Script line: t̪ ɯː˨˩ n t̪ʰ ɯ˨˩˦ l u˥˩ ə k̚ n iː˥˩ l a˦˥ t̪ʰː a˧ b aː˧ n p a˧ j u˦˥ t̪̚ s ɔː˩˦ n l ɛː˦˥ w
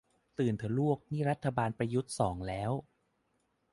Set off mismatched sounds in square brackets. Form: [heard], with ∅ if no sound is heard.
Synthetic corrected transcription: t̪ ɯː˨˩ n t̪ʰ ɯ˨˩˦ l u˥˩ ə k̚ n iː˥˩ [ɾ] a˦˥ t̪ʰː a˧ b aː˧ n p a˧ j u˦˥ t̪̚ s ɔː˩˦ [ŋ] l ɛː˦˥ w